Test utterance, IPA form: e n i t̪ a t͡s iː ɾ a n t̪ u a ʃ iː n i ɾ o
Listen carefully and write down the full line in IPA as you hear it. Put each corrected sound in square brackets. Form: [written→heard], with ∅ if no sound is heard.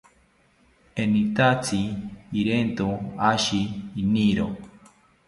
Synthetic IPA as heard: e n i t̪ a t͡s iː ɾ [a→e] n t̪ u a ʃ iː n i ɾ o